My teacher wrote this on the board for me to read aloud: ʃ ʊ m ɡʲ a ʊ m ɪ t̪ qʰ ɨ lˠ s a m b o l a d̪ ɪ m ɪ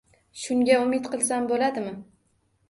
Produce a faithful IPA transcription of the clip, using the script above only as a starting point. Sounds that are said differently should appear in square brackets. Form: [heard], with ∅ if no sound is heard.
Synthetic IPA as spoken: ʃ ʊ [ŋ] ɡʲ a ʊ m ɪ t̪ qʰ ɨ lˠ s a m b o l a d̪ ɪ m ɪ